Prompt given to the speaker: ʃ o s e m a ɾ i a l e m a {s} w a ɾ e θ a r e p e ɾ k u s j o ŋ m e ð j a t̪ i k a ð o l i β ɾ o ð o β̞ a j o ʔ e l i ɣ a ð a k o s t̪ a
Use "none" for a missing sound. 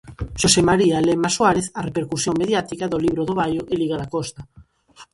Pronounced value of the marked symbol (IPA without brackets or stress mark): s